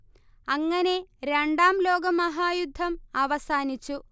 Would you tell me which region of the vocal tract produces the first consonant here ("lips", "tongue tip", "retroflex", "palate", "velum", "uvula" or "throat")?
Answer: velum